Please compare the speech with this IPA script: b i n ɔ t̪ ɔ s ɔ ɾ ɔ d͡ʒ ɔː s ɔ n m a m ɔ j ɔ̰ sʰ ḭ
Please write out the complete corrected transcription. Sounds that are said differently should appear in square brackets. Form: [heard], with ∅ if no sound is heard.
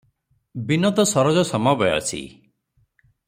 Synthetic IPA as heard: b i n ɔ t̪ ɔ s ɔ ɾ ɔ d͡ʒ [ɔ] s ɔ [∅] m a [b] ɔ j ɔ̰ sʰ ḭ